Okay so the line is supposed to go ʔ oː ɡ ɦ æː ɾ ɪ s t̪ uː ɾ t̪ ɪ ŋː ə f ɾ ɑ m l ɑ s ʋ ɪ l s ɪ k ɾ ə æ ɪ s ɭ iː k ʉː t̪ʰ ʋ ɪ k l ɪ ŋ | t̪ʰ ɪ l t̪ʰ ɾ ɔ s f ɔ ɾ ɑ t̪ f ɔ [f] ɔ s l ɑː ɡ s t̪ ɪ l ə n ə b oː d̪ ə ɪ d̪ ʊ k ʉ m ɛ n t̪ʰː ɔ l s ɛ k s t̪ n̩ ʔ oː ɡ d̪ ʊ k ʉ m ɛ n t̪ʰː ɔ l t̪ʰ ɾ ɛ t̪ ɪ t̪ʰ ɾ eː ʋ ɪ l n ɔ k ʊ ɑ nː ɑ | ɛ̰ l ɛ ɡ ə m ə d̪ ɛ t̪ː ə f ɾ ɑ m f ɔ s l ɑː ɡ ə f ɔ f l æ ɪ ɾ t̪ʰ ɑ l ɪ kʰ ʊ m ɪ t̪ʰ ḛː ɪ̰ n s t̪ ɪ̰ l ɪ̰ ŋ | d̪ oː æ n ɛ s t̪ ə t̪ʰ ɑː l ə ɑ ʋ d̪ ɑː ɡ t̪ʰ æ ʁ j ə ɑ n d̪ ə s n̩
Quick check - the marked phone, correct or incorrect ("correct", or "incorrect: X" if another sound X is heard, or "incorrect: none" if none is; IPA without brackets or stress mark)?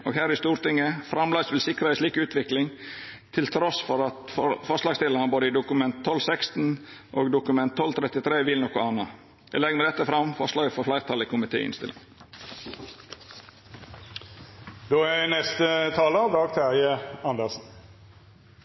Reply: correct